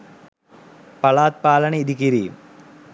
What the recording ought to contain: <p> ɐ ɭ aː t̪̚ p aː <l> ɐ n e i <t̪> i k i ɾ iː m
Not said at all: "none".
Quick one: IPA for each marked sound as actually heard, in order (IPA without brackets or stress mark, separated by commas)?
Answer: p, l, d̪